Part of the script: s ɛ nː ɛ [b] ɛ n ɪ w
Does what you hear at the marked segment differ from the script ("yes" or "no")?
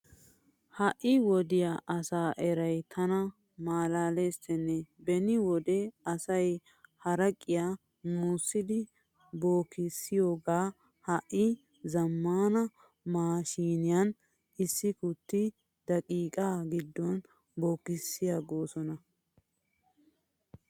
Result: no